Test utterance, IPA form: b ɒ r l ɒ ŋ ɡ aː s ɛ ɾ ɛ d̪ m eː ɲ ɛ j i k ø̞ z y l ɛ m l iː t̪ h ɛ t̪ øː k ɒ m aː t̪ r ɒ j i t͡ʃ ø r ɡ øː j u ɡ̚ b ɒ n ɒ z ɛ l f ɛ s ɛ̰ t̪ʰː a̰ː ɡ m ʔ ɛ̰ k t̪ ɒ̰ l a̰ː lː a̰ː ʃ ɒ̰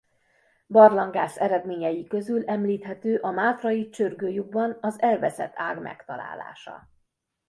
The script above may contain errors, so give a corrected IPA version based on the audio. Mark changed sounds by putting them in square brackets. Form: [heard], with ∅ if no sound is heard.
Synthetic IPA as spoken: b ɒ r l ɒ ŋ ɡ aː s ɛ ɾ ɛ d̪ m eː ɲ ɛ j i k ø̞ z y l ɛ m l iː t̪ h ɛ t̪ øː [ʔ] ɒ m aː t̪ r ɒ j i t͡ʃ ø r ɡ øː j u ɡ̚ b ɒ n ɒ z ɛ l [v] ɛ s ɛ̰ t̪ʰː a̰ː ɡ m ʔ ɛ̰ k t̪ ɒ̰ l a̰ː [l] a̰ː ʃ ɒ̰